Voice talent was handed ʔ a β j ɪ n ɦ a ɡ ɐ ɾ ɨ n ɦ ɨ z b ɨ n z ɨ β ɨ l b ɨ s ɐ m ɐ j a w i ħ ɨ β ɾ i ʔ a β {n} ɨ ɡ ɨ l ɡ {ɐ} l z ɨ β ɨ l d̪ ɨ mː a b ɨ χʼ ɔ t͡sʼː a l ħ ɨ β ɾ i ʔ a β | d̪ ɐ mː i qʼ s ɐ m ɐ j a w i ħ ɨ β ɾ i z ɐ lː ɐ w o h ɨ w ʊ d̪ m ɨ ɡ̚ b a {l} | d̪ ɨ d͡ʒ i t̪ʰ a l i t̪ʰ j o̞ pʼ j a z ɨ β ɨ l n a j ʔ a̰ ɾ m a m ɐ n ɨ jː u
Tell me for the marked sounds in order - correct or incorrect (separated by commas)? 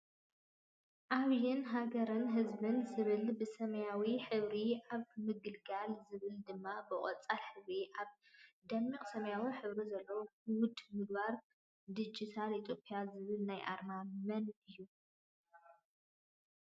incorrect, incorrect, incorrect